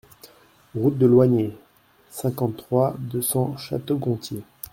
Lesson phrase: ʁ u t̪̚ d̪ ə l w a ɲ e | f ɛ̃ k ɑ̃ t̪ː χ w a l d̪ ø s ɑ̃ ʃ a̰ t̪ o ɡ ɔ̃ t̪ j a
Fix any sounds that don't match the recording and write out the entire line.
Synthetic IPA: ʁ u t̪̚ d̪ ə l w a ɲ e | s ɛ̃ k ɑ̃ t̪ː χ w a d̪ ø s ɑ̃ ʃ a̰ t̪ o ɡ ɔ̃ t̪ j e